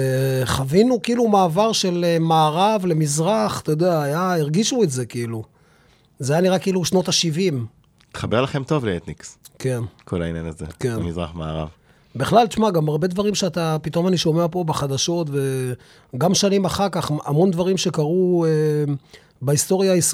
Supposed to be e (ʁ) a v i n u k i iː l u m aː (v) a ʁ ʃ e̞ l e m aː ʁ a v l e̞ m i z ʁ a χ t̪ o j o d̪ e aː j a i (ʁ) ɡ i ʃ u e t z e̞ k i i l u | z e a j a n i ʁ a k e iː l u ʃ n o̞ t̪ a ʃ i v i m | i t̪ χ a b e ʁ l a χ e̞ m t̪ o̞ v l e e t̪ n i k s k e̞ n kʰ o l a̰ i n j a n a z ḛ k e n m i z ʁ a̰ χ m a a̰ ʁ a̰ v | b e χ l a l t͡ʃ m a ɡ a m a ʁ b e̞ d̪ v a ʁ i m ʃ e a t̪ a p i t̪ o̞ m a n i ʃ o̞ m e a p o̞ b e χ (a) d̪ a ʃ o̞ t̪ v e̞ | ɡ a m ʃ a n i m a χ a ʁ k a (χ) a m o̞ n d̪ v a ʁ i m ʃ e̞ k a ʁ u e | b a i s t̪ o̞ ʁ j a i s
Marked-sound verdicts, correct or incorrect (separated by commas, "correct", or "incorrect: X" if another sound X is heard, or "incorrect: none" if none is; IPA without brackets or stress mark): incorrect: χ, correct, correct, correct, correct